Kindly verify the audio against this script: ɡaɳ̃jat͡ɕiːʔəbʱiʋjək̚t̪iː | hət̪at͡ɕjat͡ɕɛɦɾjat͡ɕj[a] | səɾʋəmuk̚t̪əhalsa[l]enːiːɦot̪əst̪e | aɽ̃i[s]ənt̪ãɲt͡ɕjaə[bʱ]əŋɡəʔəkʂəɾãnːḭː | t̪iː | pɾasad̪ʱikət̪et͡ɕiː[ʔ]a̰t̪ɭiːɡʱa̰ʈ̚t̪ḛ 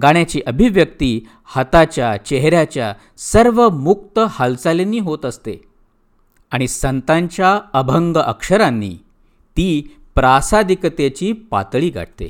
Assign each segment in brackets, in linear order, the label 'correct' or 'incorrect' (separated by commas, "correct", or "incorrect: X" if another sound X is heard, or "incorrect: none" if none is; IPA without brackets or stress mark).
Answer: correct, correct, correct, correct, incorrect: p